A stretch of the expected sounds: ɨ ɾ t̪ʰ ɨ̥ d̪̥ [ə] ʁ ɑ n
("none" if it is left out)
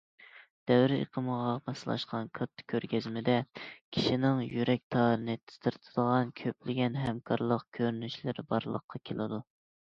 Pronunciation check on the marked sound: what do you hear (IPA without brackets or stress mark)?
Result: ə